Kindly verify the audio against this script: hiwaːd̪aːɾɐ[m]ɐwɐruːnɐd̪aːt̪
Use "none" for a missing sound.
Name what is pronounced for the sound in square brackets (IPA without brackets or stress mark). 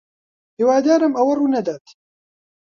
m